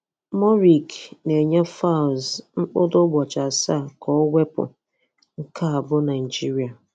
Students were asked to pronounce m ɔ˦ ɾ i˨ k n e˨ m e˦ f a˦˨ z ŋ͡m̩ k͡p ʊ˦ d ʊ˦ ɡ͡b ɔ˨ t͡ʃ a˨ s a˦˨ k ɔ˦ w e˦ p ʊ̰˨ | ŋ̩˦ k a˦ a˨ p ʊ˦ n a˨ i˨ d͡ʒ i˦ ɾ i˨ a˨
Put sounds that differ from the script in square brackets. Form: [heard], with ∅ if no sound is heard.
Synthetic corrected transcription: m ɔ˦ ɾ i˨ k n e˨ [ɲ] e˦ f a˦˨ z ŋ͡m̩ k͡p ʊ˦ d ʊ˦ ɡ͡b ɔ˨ t͡ʃ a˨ s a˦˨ k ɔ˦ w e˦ p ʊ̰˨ | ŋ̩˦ k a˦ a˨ [b] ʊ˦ n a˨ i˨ d͡ʒ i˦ ɾ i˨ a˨